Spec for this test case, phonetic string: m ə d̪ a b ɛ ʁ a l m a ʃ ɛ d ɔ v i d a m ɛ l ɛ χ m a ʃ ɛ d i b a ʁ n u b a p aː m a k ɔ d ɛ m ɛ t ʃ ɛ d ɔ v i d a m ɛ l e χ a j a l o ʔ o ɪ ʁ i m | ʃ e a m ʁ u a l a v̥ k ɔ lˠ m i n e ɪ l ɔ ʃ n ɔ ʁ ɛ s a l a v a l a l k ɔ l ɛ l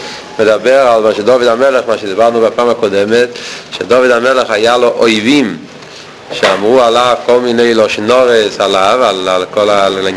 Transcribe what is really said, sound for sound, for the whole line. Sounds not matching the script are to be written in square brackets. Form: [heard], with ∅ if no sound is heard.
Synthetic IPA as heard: m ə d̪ a b ɛ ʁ a l m a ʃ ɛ d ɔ v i d a m ɛ l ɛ χ m a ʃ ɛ d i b a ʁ n u b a p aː m a k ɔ d ɛ m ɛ t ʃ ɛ d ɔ v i d a m ɛ l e χ a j a l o ʔ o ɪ [v] i m | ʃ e a m ʁ u a l a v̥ k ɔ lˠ m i n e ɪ l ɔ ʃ n ɔ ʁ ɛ s a l a v a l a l k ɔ l [a] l